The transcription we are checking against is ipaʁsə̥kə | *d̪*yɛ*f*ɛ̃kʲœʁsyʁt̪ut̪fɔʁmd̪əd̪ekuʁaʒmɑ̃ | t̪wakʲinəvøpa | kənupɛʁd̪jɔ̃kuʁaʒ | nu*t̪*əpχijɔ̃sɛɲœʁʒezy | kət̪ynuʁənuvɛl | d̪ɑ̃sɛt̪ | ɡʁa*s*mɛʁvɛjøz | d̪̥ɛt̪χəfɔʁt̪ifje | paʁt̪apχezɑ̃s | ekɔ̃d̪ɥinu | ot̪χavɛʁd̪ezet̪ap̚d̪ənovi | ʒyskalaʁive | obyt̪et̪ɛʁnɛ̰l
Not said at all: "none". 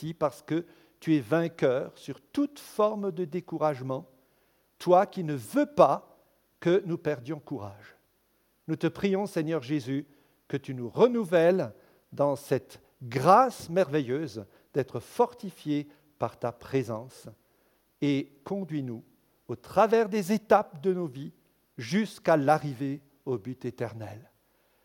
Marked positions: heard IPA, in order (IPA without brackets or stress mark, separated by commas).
t̪, v, t̪, s